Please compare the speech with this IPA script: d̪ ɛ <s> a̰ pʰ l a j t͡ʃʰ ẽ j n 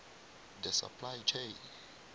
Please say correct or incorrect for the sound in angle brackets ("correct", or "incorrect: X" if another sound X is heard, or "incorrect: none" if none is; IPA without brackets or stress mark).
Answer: correct